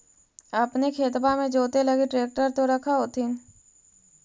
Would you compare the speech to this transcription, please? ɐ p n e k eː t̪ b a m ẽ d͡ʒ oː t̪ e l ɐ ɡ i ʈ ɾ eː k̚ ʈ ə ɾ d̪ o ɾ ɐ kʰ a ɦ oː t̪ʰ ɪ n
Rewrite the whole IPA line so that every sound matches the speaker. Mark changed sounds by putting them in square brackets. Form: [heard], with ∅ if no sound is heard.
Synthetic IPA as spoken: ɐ p n e [kʰ] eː t̪ b a m ẽ d͡ʒ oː t̪ e l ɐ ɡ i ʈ ɾ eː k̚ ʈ ə ɾ [t̪] o ɾ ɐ kʰ a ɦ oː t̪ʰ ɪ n